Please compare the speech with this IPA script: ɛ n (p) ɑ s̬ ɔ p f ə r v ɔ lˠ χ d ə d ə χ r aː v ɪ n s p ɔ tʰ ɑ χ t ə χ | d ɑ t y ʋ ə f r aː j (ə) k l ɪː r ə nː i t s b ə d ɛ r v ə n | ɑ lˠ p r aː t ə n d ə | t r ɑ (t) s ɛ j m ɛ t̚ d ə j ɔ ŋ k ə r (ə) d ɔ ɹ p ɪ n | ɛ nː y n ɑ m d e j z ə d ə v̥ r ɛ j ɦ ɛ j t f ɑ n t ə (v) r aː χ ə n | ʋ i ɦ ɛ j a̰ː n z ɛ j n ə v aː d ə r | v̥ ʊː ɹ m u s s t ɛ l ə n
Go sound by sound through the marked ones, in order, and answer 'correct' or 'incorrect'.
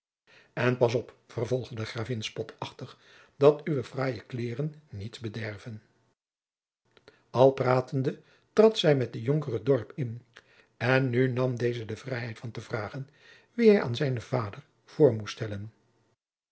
correct, correct, correct, correct, correct

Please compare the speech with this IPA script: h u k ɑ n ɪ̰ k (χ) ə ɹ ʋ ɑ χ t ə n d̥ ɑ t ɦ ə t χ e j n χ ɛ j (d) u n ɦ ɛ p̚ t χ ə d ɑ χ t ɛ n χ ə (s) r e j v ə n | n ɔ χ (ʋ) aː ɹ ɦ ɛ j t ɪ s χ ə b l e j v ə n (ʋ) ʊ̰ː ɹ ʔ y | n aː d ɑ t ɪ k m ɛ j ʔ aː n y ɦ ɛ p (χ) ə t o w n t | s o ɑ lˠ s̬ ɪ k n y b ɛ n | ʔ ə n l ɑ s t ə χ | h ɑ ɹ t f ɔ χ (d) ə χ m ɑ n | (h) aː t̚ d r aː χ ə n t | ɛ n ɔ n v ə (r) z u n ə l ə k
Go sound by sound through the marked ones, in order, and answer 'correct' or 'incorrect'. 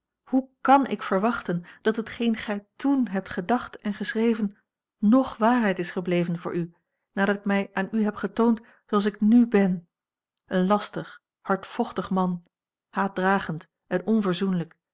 incorrect, incorrect, correct, correct, incorrect, correct, incorrect, correct, incorrect

